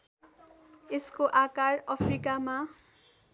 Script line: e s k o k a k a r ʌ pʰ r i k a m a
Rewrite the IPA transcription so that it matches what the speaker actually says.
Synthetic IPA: e s k o ʔ a k a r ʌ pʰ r i k a m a